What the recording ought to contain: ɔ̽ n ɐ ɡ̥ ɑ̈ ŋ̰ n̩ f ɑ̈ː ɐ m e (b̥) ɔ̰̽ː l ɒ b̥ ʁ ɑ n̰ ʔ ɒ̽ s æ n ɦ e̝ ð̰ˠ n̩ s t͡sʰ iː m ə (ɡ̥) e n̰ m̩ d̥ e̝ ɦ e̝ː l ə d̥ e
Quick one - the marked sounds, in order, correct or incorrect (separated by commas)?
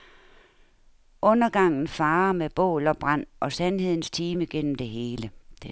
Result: correct, correct